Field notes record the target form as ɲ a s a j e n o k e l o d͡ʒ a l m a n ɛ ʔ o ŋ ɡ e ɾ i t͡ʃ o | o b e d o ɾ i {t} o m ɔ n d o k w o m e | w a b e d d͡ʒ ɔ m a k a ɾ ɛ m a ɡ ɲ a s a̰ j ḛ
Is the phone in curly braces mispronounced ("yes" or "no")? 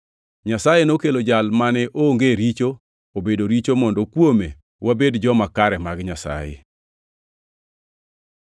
yes